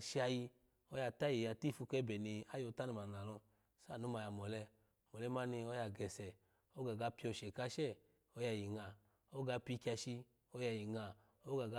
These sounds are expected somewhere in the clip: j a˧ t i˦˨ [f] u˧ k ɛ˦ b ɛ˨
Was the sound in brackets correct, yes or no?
yes